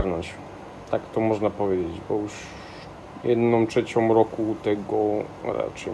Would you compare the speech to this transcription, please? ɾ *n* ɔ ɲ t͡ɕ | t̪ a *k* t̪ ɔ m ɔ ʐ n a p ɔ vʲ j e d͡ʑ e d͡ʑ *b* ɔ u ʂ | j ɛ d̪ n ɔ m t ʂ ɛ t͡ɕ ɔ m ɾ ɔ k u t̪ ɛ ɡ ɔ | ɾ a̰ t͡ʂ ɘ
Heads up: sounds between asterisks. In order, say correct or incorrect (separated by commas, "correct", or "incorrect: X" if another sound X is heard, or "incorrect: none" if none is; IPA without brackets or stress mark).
correct, correct, correct